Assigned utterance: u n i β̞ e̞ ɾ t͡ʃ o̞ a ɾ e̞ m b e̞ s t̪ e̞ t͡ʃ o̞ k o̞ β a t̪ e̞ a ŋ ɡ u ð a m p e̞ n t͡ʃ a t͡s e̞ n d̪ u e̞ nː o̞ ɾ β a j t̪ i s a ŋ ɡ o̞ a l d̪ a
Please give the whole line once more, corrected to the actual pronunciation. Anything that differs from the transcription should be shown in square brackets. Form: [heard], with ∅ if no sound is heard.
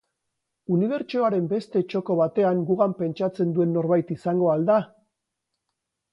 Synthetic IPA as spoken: u n i β̞ e̞ ɾ t͡ʃ o̞ a ɾ e̞ m b e̞ s t̪ e̞ t͡ʃ o̞ k o̞ β a t̪ e̞ a ŋ ɡ u [ɣ] a m p e̞ n t͡ʃ a t͡s e̞ n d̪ u e̞ nː o̞ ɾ β a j t̪ i s a ŋ ɡ o̞ a l d̪ a